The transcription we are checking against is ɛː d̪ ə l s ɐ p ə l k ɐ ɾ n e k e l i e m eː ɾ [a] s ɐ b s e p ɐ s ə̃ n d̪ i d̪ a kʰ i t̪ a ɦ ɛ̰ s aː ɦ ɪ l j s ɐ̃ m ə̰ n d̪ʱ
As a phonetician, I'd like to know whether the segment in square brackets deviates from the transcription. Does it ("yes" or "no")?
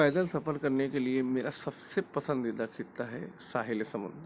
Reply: no